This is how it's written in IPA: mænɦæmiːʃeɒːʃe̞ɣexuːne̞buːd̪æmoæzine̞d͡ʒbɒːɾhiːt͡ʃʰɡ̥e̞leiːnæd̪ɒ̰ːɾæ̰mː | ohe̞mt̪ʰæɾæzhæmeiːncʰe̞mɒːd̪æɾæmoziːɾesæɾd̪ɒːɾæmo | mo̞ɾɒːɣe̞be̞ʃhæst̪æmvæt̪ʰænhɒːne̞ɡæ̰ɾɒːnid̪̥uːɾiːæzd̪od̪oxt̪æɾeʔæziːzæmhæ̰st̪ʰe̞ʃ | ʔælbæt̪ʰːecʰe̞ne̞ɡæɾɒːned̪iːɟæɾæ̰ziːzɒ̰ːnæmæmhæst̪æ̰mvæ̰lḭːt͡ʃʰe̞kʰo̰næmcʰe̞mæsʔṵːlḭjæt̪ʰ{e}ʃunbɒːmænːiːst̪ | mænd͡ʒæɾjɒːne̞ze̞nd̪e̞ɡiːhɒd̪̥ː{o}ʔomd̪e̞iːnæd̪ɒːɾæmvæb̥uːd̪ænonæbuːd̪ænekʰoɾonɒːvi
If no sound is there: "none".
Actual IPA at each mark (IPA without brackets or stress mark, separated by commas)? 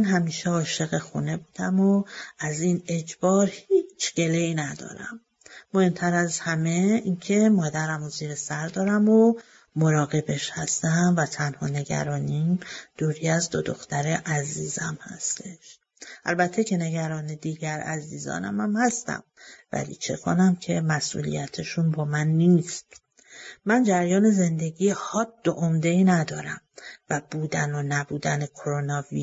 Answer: e, o